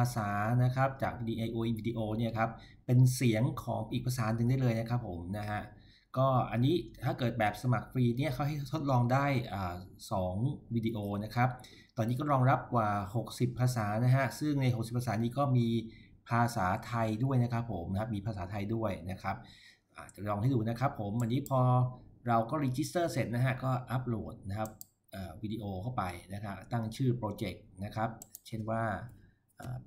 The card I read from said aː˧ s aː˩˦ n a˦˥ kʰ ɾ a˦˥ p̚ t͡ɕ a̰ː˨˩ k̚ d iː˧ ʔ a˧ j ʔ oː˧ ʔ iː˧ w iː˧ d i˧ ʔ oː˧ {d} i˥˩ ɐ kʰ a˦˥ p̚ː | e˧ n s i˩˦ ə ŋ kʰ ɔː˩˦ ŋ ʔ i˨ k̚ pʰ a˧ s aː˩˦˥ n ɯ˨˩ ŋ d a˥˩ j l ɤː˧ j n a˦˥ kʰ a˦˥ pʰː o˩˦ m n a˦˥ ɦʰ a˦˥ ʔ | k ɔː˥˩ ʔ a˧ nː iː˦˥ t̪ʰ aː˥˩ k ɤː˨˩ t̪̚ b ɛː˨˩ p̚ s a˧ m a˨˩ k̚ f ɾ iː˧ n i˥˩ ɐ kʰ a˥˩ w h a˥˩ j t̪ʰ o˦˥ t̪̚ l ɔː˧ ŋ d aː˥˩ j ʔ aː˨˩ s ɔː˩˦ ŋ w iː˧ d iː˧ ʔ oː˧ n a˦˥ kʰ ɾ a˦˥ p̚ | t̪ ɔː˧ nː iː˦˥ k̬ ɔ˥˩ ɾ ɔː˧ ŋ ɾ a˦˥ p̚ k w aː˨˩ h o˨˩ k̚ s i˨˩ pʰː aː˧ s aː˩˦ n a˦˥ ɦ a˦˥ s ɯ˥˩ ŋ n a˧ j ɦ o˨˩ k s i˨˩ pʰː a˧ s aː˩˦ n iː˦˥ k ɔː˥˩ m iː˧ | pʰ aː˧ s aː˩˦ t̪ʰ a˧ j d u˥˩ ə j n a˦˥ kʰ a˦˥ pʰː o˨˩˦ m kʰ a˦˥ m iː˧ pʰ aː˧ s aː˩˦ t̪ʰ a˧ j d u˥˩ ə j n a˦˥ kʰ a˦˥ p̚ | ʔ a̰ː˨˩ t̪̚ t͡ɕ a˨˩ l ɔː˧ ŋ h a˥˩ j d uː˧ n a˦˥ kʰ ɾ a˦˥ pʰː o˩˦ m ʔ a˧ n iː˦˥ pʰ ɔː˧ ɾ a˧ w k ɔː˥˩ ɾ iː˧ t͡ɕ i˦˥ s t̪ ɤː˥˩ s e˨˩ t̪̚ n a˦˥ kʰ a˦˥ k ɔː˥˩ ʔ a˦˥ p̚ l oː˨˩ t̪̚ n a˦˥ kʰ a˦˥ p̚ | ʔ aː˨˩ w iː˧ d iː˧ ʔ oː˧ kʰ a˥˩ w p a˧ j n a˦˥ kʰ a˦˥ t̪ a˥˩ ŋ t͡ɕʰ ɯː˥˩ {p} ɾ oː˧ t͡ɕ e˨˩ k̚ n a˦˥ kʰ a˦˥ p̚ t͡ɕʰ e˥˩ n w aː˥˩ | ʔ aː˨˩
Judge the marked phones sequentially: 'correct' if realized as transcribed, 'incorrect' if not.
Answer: incorrect: n, correct

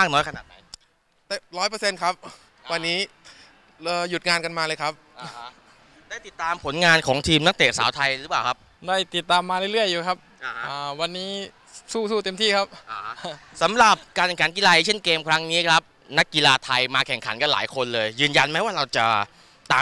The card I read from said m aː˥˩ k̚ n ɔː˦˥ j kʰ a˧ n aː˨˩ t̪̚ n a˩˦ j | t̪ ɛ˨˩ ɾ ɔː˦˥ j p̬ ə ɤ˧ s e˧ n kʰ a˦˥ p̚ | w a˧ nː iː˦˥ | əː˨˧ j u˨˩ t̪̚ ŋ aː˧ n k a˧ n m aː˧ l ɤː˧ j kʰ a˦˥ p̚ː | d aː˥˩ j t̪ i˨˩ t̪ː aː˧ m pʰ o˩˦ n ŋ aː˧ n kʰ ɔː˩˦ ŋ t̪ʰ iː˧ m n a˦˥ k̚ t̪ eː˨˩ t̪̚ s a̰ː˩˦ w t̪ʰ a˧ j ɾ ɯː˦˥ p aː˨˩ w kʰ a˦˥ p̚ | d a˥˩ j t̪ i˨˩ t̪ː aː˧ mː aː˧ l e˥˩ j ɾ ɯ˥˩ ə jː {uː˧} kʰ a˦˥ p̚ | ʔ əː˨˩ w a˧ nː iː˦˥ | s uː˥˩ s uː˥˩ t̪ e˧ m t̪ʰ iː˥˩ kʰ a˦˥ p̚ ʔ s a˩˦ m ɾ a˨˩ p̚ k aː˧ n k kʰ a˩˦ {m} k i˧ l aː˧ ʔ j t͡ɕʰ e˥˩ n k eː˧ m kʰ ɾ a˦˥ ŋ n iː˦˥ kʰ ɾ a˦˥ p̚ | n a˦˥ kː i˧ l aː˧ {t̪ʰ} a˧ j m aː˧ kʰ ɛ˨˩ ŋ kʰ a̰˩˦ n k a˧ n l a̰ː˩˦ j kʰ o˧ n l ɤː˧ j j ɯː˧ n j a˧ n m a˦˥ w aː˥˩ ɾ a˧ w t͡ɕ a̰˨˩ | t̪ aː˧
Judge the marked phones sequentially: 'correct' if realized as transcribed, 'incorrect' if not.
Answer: incorrect: uː˨˩, incorrect: n, correct

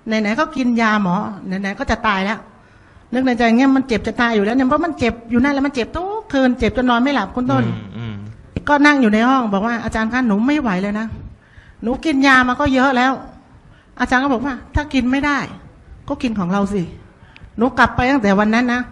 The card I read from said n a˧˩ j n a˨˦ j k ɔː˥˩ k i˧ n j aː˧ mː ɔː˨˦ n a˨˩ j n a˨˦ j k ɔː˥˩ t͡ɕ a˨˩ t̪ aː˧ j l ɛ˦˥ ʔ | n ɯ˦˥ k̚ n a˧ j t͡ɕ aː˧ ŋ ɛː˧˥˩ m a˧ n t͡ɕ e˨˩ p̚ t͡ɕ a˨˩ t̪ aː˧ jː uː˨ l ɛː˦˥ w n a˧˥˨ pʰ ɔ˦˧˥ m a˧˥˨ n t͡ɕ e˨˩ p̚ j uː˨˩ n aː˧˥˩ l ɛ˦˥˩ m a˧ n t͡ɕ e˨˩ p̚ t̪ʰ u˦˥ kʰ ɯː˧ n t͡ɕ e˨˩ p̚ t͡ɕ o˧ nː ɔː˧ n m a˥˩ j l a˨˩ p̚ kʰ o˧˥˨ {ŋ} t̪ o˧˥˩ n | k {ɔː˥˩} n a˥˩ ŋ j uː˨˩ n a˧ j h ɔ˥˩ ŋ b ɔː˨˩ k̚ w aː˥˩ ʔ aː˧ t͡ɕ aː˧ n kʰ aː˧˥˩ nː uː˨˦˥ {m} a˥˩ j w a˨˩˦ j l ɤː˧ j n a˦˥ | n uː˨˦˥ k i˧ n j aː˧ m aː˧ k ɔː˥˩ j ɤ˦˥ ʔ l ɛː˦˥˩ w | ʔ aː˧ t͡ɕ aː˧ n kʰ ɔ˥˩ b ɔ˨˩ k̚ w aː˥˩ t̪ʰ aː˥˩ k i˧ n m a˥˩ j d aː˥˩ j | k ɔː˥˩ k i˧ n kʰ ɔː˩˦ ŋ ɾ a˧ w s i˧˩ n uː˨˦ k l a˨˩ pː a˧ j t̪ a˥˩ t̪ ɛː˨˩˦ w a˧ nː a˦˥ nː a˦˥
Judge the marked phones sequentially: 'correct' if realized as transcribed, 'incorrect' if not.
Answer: incorrect: n, correct, correct

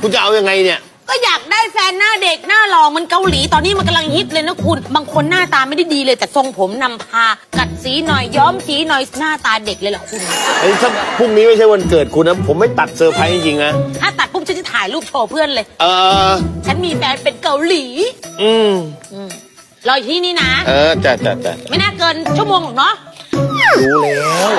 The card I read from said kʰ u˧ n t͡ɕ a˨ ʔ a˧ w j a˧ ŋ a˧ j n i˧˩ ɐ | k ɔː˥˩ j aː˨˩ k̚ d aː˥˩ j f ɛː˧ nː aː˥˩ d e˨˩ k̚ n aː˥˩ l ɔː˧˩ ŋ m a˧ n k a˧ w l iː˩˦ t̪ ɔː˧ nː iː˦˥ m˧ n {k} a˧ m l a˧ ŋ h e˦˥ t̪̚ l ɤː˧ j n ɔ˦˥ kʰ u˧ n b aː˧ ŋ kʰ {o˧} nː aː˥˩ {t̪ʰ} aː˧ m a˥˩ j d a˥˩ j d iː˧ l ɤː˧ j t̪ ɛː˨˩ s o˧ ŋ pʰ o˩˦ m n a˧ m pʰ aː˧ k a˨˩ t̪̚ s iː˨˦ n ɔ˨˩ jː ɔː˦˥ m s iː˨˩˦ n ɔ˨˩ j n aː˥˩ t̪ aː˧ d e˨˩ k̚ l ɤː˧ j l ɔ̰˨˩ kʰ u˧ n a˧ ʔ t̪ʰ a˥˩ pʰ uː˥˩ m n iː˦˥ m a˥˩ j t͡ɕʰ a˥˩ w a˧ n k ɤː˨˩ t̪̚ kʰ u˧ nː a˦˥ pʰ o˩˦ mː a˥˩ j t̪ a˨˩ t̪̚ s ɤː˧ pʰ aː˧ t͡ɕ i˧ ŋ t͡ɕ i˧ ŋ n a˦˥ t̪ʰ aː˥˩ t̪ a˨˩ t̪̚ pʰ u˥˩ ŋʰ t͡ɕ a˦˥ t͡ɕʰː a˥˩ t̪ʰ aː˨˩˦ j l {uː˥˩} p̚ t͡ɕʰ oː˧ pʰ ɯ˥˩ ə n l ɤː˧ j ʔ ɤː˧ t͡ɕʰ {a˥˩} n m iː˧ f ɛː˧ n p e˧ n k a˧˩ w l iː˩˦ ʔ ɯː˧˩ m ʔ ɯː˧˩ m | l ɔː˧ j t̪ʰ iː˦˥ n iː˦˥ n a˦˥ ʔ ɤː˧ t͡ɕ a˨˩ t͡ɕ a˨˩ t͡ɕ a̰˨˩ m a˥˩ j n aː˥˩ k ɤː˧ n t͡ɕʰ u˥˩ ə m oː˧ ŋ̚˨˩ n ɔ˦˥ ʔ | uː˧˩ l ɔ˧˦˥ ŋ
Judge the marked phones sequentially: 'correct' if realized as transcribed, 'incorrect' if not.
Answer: correct, correct, incorrect: t̪, correct, incorrect: a˦˥

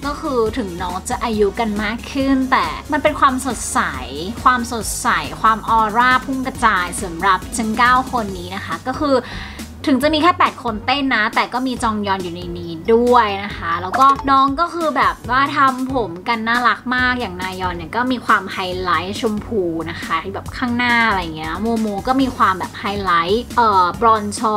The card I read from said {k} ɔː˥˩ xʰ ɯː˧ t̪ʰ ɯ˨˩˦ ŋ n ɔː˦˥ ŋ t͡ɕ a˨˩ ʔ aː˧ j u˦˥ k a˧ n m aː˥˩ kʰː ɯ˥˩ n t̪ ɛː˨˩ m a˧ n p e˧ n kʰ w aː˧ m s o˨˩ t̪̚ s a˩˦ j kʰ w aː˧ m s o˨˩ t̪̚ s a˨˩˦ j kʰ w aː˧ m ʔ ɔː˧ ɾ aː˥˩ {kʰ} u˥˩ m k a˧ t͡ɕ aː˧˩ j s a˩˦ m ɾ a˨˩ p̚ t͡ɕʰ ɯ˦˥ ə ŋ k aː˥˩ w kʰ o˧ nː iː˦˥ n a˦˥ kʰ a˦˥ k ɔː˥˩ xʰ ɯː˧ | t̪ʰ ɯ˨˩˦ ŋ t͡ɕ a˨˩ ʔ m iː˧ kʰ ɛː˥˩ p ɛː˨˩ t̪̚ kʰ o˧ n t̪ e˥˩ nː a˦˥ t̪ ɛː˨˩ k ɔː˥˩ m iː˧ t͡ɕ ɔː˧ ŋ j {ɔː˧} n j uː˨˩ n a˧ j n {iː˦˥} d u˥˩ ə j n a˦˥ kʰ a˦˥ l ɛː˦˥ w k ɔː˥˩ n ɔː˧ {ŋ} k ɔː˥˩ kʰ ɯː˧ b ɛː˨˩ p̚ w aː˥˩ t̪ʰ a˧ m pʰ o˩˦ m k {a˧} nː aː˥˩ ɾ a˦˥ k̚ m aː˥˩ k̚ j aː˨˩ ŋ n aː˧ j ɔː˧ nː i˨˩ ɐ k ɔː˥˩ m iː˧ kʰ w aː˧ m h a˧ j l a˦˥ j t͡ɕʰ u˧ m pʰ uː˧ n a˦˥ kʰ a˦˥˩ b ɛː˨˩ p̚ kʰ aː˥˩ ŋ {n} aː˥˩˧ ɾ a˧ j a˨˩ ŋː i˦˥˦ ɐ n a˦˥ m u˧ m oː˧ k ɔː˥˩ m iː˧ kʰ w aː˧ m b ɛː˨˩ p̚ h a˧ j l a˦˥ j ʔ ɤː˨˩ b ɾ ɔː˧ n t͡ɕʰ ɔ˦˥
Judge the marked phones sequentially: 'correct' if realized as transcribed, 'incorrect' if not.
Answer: correct, incorrect: pʰ, correct, correct, correct, correct, correct

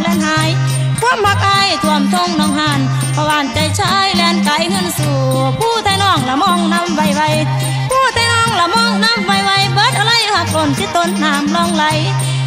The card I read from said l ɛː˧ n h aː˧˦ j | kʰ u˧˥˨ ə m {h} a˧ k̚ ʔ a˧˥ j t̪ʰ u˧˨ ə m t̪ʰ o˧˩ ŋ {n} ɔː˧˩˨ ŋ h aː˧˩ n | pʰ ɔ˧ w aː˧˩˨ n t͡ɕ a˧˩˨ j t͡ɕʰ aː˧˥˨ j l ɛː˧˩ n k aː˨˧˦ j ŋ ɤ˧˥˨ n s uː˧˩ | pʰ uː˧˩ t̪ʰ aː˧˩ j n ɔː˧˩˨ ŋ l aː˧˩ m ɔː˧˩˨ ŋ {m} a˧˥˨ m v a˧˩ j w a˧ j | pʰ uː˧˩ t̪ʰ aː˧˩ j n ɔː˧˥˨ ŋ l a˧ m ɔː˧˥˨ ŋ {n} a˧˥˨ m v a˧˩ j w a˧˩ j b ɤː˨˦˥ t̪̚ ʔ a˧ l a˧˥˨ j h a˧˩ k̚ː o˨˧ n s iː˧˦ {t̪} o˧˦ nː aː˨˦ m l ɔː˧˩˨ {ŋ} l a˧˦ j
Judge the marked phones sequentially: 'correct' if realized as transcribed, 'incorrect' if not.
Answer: correct, correct, incorrect: n, correct, correct, correct

